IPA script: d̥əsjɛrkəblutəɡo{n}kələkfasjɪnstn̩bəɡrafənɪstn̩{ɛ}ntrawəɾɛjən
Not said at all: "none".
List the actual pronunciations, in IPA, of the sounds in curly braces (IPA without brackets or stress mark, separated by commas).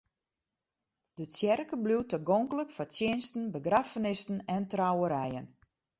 ŋ, ɛ